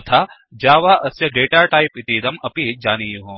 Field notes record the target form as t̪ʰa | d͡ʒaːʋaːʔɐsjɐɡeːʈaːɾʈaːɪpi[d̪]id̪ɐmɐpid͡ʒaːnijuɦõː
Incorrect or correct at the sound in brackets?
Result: incorrect: t̪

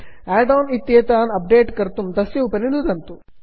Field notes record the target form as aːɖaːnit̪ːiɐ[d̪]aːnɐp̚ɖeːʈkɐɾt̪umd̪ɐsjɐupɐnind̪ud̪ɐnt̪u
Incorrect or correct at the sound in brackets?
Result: incorrect: t̪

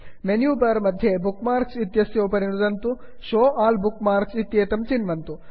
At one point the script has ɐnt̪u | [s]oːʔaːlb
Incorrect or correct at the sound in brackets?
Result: incorrect: ʃ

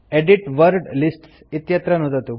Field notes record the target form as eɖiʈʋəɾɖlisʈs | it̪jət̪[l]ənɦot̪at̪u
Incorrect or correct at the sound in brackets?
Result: incorrect: ɾ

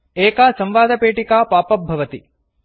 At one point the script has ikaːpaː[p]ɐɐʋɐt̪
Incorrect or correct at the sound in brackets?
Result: correct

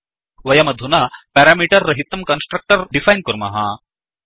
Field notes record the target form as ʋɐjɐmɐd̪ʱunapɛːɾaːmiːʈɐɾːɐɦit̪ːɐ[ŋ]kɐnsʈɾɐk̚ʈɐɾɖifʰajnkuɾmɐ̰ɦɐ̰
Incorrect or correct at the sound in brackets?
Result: incorrect: m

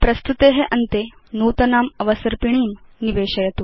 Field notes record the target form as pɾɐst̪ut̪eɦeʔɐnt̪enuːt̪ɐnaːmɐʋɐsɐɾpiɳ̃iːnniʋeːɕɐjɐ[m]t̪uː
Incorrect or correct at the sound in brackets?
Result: incorrect: none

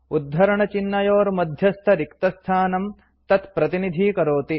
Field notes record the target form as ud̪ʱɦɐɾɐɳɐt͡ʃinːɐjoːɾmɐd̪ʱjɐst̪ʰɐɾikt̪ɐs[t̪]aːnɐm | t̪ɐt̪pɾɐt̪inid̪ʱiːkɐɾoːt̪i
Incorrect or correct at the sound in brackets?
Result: incorrect: t̪ʰ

